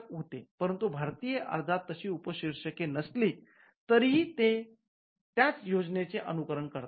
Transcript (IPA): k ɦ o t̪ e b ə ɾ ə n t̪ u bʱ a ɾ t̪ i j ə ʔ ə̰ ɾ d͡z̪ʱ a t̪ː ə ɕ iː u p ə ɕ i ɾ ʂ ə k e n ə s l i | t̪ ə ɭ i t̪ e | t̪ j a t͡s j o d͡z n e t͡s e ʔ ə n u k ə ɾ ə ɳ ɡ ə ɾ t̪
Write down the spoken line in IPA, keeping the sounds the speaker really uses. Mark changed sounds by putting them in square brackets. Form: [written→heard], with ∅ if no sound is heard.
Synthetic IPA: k ɦ o t̪ e [b→p] ə ɾ ə n t̪ u bʱ a ɾ t̪ i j ə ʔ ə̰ ɾ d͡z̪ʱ a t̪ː ə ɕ iː u p ə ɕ i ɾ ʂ ə k e n ə s l i | t̪ ə [ɭ→ɾ] i t̪ e | t̪ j a t͡s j o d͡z n e t͡s e ʔ ə n u k ə ɾ ə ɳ [ɡ→k] ə ɾ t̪